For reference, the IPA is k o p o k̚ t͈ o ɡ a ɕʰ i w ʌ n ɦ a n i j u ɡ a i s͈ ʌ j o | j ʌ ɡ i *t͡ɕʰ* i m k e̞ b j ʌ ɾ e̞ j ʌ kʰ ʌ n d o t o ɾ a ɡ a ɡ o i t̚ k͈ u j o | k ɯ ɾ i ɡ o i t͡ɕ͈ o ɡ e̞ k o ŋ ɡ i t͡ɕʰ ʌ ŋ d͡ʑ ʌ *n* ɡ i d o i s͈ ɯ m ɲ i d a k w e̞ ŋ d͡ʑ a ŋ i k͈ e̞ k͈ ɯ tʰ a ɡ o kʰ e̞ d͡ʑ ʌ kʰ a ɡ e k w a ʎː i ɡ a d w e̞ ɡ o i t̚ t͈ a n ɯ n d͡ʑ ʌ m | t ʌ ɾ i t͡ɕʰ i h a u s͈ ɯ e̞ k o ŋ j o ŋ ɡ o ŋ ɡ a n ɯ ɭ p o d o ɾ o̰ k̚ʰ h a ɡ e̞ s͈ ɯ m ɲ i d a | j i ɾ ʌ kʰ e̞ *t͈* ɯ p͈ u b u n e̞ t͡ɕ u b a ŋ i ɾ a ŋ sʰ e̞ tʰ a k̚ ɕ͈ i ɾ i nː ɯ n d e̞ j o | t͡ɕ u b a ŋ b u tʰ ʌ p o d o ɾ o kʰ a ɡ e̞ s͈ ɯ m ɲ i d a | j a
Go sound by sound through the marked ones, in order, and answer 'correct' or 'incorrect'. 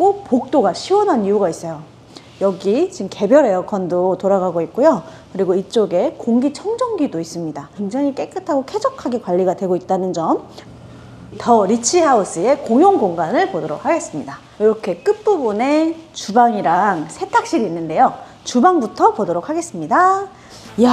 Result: incorrect, incorrect, incorrect

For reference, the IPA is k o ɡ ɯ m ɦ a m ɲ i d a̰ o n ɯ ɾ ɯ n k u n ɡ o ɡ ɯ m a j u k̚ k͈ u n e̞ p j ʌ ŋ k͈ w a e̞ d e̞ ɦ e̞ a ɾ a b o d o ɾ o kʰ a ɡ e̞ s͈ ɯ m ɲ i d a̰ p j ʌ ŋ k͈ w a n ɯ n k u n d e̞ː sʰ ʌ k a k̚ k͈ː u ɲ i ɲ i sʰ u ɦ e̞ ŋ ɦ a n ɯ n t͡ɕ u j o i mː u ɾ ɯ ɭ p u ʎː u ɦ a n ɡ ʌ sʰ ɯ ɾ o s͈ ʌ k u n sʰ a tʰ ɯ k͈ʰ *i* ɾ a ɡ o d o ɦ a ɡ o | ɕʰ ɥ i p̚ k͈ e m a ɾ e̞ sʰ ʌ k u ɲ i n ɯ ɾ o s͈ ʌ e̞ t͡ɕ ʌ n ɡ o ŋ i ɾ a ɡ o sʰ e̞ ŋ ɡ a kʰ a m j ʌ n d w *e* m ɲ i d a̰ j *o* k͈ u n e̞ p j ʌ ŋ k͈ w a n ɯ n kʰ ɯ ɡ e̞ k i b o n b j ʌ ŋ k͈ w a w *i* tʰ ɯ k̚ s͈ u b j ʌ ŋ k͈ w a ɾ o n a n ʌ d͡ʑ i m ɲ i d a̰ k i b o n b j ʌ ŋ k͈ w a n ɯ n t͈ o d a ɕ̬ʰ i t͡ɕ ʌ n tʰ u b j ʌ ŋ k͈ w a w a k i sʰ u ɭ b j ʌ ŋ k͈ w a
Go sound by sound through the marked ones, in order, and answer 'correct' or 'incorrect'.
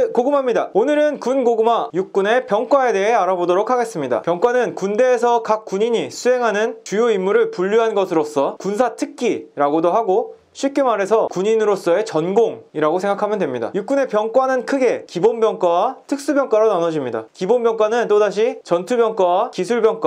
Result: correct, correct, incorrect, incorrect

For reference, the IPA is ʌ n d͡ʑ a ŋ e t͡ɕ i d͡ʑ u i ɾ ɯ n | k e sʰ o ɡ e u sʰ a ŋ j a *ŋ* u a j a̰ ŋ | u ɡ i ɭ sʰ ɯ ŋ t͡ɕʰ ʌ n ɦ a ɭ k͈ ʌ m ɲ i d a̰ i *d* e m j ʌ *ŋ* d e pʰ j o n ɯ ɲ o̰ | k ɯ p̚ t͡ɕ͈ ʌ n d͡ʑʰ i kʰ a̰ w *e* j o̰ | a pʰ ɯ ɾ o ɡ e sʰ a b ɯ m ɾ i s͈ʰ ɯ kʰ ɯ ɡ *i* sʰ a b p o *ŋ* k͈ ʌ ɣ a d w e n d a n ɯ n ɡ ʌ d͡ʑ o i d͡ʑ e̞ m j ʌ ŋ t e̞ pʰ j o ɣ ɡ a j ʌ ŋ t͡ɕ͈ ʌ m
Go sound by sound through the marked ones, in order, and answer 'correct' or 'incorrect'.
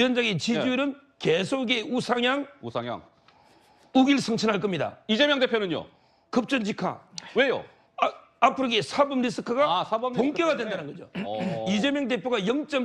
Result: correct, incorrect, correct, correct, incorrect, correct

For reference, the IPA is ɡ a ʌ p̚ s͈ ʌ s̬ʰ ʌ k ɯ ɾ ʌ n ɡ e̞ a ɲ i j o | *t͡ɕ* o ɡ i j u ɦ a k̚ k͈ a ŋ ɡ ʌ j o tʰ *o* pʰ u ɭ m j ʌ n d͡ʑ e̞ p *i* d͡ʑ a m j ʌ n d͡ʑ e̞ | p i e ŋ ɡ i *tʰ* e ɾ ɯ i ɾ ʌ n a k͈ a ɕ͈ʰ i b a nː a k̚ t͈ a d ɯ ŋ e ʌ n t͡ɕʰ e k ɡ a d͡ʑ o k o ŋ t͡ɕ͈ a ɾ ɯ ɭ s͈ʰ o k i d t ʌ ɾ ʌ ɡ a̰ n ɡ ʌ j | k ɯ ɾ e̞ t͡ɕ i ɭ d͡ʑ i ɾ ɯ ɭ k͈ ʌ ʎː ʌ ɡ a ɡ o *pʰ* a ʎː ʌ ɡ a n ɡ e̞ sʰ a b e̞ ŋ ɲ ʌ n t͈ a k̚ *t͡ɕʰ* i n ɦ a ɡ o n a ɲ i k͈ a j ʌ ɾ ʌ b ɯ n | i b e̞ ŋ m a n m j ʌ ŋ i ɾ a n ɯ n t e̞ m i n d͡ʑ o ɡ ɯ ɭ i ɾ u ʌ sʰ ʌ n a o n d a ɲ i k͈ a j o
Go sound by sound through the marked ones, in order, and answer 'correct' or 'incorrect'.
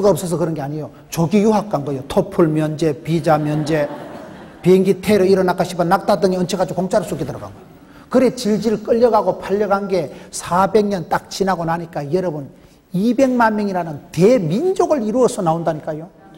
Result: correct, correct, correct, correct, correct, incorrect

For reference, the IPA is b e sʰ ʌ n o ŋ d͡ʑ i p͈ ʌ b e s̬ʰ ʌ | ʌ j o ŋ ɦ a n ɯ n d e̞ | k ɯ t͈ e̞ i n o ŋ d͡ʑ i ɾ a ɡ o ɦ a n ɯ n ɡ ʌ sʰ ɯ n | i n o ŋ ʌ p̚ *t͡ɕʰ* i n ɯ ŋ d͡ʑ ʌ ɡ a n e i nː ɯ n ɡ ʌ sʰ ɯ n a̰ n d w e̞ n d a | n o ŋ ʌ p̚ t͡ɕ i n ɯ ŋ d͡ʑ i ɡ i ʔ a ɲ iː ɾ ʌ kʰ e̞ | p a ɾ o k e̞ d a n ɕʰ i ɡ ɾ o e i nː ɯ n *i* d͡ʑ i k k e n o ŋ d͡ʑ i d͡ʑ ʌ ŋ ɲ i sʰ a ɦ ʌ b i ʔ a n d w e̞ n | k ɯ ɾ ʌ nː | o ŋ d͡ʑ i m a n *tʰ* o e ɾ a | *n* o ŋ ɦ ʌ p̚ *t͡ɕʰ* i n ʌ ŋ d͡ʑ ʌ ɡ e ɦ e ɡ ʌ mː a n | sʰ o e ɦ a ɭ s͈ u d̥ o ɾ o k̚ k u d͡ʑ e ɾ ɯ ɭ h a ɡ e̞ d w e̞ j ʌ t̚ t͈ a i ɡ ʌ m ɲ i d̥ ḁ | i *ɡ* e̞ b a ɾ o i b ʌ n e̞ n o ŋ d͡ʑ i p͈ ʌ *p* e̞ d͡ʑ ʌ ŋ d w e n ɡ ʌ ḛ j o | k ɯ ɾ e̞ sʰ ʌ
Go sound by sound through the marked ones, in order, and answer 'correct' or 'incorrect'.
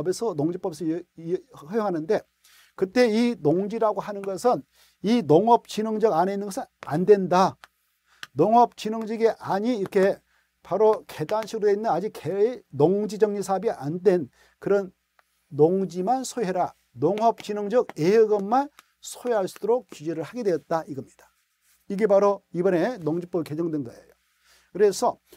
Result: incorrect, incorrect, incorrect, correct, incorrect, correct, incorrect

